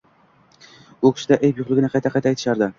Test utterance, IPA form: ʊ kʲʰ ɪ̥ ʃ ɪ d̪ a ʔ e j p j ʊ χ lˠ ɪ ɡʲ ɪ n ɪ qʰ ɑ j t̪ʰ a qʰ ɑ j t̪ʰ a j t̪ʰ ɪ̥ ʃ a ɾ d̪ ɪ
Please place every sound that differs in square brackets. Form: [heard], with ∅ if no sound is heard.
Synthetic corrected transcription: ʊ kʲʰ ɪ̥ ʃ ɪ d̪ a ʔ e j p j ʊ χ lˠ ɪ ɡʲ ɪ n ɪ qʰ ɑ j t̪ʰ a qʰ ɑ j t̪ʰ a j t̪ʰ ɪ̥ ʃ a ɾ d̪ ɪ